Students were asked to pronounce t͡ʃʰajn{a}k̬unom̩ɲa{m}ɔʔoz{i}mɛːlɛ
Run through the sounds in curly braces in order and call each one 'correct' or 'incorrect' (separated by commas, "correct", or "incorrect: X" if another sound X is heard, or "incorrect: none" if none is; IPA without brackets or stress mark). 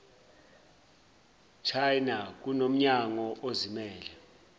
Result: correct, incorrect: ŋ, correct